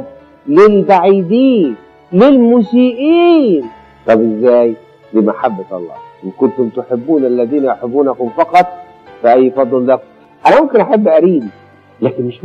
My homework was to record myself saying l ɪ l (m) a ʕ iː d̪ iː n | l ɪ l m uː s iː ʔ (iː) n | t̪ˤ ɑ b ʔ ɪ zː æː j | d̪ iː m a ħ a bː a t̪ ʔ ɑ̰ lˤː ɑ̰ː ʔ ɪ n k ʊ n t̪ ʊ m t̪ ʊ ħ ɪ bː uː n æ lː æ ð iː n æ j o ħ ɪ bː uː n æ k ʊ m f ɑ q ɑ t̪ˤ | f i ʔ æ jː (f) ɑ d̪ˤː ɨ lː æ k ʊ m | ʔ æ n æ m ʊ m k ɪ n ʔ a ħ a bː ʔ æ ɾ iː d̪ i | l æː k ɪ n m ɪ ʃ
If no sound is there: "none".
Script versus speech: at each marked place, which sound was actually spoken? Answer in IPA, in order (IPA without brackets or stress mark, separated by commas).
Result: b, iː, f